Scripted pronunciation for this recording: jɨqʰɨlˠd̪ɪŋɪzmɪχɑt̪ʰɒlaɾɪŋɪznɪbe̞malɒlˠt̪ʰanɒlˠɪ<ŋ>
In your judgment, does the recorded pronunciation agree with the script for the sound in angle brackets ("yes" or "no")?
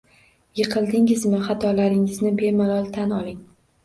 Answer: yes